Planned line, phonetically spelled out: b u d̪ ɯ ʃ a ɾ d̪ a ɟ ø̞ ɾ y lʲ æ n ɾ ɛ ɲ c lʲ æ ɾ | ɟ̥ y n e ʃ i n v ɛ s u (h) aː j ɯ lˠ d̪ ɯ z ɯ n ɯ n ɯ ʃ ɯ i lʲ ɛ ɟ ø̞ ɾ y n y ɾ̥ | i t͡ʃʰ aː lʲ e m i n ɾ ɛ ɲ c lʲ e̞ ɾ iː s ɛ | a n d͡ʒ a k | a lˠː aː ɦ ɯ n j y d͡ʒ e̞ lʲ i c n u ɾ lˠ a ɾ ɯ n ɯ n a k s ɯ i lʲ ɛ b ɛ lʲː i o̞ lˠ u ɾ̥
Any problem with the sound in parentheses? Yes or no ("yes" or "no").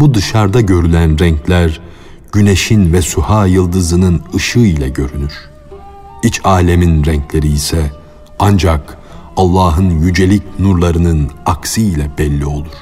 no